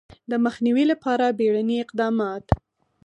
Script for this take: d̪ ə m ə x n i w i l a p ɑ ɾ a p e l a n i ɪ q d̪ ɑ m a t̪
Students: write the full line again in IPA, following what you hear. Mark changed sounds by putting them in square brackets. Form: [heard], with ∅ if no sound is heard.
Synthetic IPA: d̪ ə m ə x n i w i l a p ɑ ɾ a [b] e [ɽ] a n i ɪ q d̪ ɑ m [ɑ] t̪

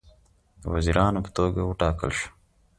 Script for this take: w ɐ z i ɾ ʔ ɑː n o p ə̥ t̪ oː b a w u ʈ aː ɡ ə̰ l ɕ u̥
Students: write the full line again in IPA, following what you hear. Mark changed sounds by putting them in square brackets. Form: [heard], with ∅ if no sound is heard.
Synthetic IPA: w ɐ z i ɾ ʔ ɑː n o p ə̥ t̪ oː [ɡ] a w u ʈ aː [k] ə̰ l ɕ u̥

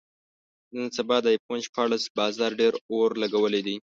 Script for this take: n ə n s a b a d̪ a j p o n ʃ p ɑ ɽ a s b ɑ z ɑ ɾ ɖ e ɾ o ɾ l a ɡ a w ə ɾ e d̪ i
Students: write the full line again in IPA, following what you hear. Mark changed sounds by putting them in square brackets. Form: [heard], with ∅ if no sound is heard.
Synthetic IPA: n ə n s a b [ɑ] d̪ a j p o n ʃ p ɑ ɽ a s b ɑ z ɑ ɾ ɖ e ɾ o ɾ l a ɡ a w ə [l] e d̪ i

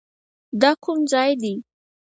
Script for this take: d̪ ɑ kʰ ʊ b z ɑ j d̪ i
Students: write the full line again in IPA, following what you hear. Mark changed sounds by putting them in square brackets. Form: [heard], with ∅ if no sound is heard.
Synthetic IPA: d̪ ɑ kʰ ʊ [m] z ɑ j d̪ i

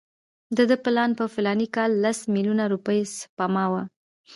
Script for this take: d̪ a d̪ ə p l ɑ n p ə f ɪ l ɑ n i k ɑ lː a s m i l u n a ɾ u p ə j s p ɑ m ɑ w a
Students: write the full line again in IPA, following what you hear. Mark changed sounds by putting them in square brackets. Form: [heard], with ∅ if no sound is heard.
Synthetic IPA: d̪ [ə] d̪ ə p l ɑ n p ə f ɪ l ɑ n i k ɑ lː a s m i l u n a ɾ u p ə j s p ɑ m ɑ w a

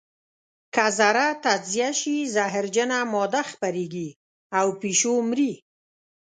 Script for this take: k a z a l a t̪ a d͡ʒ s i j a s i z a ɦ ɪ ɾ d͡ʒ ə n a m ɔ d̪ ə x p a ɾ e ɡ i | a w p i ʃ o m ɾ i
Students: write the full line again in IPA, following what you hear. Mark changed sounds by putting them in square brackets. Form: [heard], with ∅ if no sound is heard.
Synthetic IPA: k a z a [ɾ] a t̪ a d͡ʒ [z] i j a [ʃ] i z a ɦ ɪ ɾ d͡ʒ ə n a m ɔ d̪ [a] x p a ɾ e ɡ i | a w p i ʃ o m ɾ i

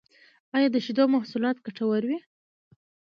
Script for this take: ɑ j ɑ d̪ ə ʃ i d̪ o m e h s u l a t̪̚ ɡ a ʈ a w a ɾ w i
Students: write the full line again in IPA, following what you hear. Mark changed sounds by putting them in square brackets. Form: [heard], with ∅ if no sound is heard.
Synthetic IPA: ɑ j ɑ d̪ ə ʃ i d̪ o m [a] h s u l [ɑ] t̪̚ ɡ a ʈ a w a ɾ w i

